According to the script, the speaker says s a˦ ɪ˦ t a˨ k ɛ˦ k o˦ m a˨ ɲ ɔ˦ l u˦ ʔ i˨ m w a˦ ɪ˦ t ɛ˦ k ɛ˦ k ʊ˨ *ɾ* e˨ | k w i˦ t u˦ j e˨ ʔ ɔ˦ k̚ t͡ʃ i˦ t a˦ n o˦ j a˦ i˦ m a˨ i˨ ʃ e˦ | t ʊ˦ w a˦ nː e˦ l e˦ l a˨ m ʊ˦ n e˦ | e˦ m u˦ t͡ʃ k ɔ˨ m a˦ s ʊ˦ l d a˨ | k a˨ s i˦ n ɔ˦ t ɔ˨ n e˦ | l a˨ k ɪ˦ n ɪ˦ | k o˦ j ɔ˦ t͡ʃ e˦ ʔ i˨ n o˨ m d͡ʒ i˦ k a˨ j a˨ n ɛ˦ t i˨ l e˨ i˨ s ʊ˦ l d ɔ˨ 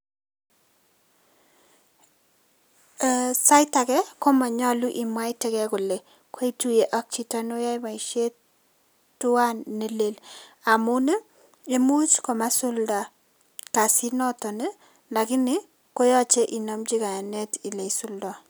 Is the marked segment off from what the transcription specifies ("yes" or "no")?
yes